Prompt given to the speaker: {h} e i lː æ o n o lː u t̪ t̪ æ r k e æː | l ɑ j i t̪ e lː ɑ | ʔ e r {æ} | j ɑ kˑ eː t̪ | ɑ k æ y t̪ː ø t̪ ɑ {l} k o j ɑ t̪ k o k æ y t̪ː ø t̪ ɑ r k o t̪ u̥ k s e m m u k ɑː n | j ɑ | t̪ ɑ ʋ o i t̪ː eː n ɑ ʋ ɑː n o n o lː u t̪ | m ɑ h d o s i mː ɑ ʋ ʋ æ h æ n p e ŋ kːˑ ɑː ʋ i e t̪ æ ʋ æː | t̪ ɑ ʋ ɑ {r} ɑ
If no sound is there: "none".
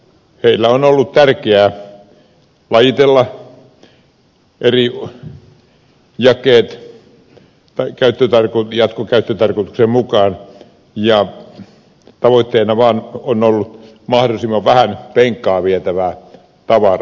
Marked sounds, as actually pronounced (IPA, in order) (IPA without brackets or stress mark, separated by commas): h, i, r, r